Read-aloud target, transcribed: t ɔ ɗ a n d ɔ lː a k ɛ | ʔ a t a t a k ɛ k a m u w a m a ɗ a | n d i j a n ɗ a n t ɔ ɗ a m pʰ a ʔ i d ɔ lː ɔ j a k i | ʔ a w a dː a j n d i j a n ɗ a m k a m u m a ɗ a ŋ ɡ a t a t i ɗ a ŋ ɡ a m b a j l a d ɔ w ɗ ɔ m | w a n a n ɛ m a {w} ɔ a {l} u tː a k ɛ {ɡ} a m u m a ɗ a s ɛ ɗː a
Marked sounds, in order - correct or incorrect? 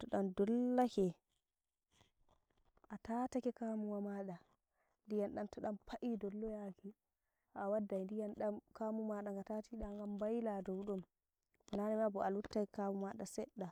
incorrect, correct, incorrect

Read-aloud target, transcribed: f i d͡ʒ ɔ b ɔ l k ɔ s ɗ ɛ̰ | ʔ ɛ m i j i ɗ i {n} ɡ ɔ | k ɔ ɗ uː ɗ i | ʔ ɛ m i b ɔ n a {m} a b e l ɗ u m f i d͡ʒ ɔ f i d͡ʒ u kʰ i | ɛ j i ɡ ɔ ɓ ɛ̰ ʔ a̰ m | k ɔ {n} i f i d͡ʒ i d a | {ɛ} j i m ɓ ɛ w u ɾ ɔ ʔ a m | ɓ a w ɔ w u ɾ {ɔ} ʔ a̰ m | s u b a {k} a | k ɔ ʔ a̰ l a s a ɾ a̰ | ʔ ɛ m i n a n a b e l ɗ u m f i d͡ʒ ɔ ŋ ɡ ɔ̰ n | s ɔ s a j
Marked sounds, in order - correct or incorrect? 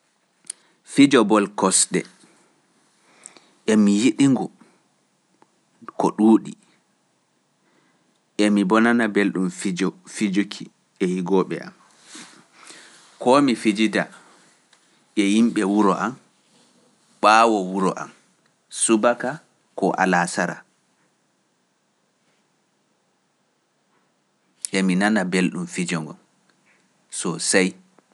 incorrect, incorrect, incorrect, correct, correct, correct

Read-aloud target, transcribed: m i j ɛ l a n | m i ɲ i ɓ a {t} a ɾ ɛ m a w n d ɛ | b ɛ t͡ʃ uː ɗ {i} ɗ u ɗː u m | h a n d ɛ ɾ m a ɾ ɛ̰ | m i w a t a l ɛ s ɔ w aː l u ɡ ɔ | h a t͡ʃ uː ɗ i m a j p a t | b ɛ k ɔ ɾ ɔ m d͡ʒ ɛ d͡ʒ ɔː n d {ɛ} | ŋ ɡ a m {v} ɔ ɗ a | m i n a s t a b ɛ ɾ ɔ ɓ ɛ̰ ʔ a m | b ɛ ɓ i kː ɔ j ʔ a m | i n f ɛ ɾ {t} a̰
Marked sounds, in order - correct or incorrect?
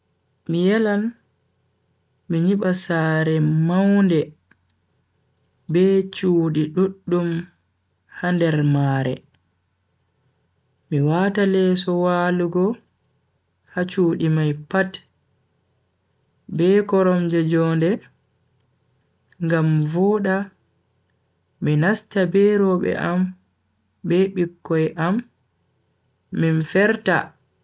incorrect, correct, correct, correct, correct

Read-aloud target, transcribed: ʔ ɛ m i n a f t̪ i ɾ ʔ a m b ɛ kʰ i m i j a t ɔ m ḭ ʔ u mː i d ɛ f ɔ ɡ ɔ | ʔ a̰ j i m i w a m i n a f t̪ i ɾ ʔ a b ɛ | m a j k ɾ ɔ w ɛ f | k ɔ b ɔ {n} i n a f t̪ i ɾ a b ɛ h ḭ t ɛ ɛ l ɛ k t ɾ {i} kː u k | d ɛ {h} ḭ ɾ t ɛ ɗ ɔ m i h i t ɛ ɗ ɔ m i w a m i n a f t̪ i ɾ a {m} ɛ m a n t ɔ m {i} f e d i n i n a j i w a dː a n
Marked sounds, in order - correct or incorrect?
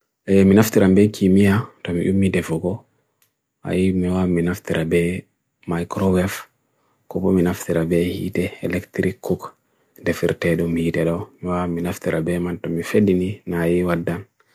incorrect, correct, incorrect, incorrect, correct

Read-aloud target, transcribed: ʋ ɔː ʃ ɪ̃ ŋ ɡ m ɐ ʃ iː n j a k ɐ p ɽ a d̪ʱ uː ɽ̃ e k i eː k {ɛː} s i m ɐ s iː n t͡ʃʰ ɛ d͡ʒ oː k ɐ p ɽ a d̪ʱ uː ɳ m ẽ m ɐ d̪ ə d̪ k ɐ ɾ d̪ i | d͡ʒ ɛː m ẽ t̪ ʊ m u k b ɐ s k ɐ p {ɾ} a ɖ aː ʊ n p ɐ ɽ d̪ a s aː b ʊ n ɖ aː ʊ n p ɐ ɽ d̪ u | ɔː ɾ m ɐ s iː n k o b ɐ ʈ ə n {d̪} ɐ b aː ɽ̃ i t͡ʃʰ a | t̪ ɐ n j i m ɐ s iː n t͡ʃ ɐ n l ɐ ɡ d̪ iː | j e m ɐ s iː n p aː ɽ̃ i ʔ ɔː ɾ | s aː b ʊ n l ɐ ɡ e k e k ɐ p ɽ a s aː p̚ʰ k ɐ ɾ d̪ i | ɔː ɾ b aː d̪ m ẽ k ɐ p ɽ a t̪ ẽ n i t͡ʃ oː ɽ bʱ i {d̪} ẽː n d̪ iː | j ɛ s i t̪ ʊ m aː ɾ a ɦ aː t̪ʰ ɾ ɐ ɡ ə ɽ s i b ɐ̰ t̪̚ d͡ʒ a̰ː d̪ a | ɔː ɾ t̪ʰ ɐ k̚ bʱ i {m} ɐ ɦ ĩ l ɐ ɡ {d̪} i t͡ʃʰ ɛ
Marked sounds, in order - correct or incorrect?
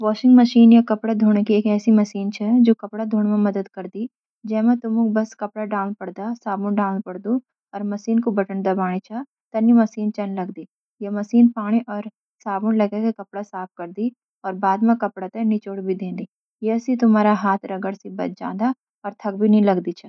correct, incorrect, correct, correct, incorrect, correct

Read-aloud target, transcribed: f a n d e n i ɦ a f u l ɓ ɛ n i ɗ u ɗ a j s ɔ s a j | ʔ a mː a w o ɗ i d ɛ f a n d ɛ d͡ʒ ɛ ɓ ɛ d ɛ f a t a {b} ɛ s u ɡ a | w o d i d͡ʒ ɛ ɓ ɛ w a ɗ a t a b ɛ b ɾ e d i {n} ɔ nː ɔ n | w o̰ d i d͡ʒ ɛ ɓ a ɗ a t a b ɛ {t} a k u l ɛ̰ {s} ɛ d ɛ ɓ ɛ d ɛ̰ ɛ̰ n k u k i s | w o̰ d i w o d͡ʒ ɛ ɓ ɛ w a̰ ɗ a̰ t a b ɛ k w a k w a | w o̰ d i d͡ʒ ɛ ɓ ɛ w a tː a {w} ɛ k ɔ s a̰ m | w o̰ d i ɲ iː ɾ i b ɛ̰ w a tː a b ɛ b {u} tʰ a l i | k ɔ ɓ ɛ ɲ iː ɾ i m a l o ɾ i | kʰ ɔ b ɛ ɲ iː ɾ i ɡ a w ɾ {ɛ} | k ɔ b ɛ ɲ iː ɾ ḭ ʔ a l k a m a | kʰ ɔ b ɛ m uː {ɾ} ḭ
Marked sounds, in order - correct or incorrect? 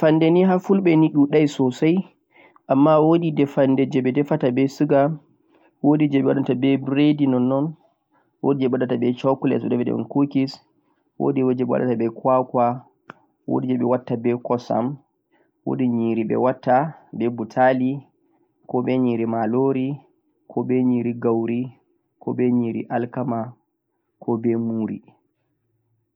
correct, correct, incorrect, correct, incorrect, correct, incorrect, correct

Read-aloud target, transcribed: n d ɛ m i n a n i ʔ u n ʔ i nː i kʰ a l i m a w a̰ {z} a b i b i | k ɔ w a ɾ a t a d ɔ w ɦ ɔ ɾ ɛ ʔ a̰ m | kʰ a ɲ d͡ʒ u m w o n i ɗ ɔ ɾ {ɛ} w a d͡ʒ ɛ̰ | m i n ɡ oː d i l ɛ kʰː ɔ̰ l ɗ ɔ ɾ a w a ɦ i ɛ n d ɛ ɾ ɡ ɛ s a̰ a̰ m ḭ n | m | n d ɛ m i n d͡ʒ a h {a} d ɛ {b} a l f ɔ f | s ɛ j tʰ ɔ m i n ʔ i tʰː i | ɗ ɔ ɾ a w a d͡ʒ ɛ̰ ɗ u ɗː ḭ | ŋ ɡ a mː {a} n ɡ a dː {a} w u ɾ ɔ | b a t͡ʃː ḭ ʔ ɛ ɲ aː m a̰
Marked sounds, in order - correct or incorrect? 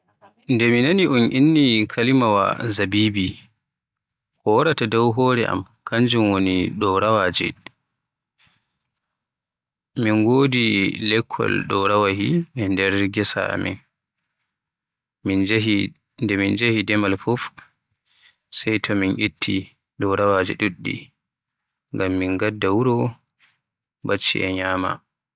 correct, incorrect, incorrect, incorrect, incorrect, correct

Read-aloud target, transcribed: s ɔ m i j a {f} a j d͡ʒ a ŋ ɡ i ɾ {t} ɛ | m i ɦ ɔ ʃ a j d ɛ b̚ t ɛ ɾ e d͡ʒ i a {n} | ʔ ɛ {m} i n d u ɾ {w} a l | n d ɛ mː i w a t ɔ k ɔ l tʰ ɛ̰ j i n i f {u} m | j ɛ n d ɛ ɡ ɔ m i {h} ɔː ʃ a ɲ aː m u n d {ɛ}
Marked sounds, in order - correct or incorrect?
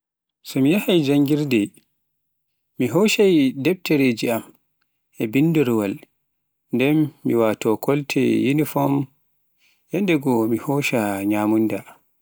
incorrect, incorrect, incorrect, incorrect, correct, incorrect, correct, incorrect

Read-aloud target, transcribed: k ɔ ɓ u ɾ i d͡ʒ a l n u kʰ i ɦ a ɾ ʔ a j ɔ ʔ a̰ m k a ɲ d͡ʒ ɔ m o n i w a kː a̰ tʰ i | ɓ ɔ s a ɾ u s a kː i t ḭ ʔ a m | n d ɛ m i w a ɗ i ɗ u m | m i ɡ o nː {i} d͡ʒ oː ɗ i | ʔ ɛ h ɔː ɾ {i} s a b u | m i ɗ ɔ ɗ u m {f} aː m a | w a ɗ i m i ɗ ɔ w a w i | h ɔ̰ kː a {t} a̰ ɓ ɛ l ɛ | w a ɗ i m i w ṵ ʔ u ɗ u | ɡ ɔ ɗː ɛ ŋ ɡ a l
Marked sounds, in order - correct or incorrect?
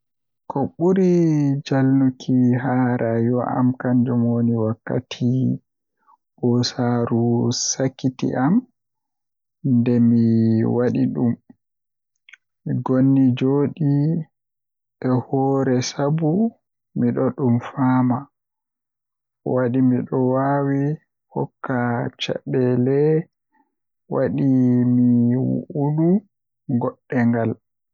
correct, incorrect, correct, incorrect

